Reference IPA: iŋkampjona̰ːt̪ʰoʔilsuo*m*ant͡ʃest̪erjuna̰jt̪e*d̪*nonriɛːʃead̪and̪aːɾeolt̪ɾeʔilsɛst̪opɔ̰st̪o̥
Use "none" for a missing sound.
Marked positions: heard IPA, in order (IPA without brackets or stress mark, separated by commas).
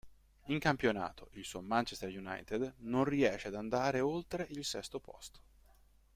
m, d̪